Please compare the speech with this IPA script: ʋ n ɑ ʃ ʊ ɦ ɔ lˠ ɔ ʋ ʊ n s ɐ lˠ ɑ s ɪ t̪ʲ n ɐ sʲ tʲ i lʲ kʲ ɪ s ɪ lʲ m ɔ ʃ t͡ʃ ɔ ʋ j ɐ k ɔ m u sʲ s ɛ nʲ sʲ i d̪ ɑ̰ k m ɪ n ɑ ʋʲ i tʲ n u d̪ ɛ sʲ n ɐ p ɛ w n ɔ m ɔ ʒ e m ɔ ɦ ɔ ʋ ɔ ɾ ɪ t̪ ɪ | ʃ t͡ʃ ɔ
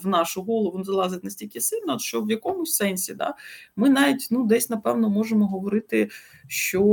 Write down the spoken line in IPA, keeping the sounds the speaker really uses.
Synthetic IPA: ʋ n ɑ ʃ ʊ ɦ ɔ lˠ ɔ ʋ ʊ n z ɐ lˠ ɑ z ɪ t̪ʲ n ɐ sʲ tʲ i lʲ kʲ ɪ s ɪ lʲ n ɔ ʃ t͡ʃ ɔ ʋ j ɐ k ɔ m ʊ sʲ s ɛ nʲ sʲ i d̪ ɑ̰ m ɪ n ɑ ʋʲ i tʲ n u d̪ ɛ sʲ n ɐ p ɛ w n ɔ m ɔ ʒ e m ɔ ɦ ɔ ʋ ɔ ɾ ɪ t̪ ɪ | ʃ t͡ʃ ɔ